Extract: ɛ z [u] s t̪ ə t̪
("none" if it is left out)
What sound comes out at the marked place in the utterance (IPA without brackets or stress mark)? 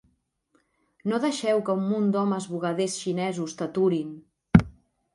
u